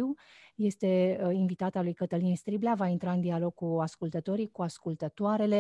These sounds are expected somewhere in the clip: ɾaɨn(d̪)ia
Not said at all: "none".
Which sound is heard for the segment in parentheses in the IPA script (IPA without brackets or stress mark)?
d̪